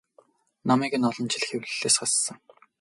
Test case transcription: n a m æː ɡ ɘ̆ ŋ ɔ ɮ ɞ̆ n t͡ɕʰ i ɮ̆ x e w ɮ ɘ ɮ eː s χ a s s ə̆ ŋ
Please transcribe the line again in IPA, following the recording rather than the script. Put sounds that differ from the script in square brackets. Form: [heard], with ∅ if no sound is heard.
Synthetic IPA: n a m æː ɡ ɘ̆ [n] ɔ ɮ ɞ̆ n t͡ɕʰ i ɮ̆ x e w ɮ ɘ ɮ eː s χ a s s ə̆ ŋ